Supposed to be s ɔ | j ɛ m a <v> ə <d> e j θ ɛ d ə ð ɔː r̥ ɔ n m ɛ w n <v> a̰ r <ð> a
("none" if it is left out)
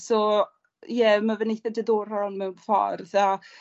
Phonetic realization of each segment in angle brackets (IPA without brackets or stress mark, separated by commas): v, n, f, ð